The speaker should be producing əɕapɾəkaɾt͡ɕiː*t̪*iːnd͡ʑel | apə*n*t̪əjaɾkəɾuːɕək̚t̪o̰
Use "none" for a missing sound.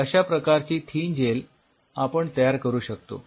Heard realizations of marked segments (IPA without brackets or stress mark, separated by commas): t̪ʰ, ɳ